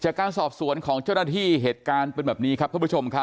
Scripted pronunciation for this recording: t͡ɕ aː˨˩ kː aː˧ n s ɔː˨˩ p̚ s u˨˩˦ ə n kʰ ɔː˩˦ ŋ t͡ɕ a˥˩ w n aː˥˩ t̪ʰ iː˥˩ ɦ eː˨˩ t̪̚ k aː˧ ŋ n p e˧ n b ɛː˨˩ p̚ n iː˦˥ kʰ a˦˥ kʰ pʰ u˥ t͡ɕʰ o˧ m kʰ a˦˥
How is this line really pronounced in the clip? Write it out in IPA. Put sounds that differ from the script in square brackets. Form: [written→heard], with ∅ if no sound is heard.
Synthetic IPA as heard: t͡ɕ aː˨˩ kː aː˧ n s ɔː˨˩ p̚ s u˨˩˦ ə n kʰ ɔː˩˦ ŋ t͡ɕ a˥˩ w n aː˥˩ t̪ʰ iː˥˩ ɦ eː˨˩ t̪̚ k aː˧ [ŋ→∅] n p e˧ n b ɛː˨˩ p̚ n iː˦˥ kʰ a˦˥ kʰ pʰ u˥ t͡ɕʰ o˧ m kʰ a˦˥